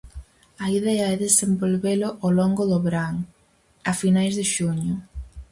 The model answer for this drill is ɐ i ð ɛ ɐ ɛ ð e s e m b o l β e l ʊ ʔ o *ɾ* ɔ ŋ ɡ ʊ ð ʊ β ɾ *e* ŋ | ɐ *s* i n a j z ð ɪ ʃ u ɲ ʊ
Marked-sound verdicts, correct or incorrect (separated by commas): incorrect, incorrect, incorrect